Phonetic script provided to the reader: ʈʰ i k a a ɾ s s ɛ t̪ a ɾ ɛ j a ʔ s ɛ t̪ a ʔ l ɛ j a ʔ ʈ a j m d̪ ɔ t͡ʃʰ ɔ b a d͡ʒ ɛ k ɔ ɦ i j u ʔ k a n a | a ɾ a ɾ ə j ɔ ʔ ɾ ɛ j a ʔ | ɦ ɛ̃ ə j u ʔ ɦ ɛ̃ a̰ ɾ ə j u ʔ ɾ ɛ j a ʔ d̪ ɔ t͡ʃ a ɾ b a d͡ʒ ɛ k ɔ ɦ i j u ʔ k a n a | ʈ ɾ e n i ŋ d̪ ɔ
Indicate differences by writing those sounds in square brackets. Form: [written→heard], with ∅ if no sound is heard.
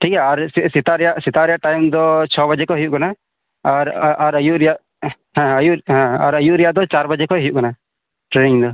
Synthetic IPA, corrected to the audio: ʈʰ i k a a ɾ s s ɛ t̪ a ɾ ɛ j a ʔ s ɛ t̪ a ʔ [l→ɾ] ɛ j a ʔ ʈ a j m d̪ ɔ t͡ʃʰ ɔ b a d͡ʒ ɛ k ɔ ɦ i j u ʔ k a n a | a ɾ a ɾ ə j [ɔ→u] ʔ ɾ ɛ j a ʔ | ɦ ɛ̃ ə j u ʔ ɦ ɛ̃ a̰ ɾ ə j u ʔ ɾ ɛ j a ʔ d̪ ɔ t͡ʃ a ɾ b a d͡ʒ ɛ k ɔ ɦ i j u ʔ k a n a | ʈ ɾ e n i ŋ d̪ ɔ